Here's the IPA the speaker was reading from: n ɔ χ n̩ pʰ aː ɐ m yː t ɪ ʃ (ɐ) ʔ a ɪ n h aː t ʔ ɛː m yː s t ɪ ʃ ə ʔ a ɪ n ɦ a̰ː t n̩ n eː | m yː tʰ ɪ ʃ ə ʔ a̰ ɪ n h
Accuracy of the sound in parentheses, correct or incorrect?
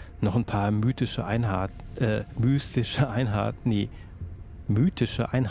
incorrect